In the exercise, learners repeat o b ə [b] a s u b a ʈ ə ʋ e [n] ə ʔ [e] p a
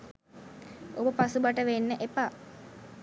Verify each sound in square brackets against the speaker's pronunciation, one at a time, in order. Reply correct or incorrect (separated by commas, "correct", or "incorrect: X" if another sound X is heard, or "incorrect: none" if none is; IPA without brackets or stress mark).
incorrect: p, incorrect: nː, correct